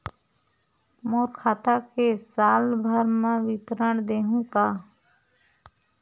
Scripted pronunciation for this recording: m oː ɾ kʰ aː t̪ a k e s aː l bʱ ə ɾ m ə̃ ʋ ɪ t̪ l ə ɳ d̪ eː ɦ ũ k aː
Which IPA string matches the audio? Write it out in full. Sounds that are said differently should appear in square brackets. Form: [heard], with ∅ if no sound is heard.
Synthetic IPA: m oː ɾ kʰ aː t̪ a k e s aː l bʱ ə ɾ m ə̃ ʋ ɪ t̪ [ɾ] ə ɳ d̪ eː ɦ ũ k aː